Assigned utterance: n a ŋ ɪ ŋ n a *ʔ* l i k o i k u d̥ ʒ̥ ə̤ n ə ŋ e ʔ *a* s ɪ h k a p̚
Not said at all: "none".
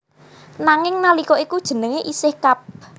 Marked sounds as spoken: none, i

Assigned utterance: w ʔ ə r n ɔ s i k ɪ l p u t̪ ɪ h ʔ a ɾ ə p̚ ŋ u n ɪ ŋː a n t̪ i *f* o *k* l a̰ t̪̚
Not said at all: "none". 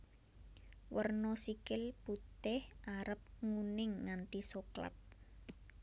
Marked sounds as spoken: s, k

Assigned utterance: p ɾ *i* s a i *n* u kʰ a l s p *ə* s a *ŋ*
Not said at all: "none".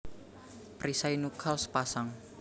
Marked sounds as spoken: i, n, a, ŋ

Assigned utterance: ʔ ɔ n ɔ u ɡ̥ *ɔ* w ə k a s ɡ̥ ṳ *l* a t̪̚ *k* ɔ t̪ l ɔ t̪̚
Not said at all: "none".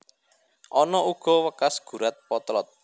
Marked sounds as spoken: ɔ, ɾ, p

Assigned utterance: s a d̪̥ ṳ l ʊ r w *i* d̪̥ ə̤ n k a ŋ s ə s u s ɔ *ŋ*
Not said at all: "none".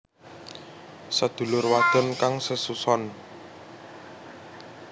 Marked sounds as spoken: a, n

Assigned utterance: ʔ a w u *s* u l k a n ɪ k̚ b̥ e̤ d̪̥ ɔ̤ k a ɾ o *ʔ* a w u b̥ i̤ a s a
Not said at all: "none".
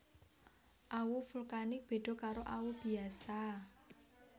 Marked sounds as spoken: f, ʔ

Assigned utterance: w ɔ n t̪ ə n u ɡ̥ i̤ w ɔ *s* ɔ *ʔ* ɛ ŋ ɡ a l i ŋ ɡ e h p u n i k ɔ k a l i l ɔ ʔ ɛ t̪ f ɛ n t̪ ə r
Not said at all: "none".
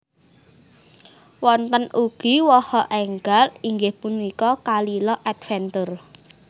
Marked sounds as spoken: h, ʔ

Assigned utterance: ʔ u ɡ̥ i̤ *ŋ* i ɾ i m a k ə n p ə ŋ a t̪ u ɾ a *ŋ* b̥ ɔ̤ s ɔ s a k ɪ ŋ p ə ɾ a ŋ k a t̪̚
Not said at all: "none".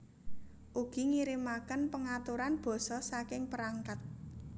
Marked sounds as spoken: ŋ, n

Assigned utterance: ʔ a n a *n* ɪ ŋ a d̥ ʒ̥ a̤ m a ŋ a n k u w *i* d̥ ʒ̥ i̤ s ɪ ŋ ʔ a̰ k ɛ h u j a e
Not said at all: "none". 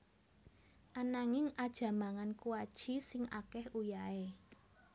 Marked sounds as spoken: ŋ, a

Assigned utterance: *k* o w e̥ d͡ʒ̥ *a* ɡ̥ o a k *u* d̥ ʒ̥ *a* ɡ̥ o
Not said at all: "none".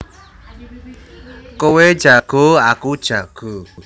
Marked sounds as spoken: k, a, u, a

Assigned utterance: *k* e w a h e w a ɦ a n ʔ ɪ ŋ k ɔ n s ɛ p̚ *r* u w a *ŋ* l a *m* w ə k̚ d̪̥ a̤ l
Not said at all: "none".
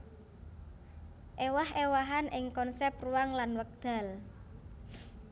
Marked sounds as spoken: ʔ, r, ŋ, n

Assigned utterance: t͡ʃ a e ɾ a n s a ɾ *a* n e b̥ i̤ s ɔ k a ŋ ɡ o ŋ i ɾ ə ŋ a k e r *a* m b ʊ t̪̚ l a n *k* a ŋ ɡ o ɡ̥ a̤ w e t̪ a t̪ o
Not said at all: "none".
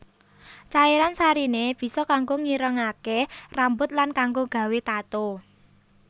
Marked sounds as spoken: i, a, k

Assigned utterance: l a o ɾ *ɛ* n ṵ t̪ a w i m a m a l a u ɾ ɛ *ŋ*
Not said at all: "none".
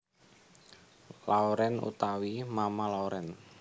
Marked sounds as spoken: ɛ, n

